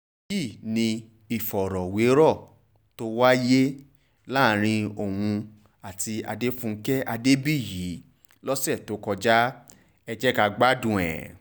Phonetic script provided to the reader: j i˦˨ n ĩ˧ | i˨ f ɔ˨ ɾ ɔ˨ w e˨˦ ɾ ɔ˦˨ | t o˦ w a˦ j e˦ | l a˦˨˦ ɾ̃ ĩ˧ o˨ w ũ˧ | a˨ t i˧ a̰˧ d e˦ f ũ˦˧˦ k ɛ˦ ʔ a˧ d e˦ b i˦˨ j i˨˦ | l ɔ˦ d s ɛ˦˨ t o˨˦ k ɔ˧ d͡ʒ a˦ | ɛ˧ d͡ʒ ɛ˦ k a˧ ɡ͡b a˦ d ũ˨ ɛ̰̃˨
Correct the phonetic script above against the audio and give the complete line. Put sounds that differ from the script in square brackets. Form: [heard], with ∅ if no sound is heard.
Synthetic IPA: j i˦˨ n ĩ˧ | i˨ f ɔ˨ ɾ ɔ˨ w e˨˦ ɾ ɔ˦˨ | t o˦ w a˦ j e˦ | l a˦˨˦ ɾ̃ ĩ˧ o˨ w ũ˧ | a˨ t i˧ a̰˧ d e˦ f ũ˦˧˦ k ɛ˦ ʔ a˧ d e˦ b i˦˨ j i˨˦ | l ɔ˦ [∅] s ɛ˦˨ t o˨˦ k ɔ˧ d͡ʒ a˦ | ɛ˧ d͡ʒ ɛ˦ k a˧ ɡ͡b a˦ d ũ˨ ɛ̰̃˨